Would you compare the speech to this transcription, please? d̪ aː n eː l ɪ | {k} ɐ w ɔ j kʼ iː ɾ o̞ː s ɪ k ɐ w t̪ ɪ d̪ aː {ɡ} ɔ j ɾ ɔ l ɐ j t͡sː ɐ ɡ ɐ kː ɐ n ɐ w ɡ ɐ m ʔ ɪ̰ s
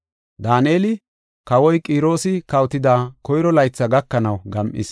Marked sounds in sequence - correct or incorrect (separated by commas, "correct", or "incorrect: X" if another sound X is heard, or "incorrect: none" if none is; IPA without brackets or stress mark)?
correct, incorrect: k